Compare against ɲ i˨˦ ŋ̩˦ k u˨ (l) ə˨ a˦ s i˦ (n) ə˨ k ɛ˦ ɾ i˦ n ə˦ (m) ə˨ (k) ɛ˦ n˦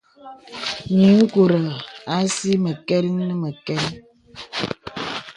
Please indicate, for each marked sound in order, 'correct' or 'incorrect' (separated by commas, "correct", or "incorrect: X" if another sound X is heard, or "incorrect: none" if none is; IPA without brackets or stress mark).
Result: incorrect: ɾ, incorrect: m, correct, correct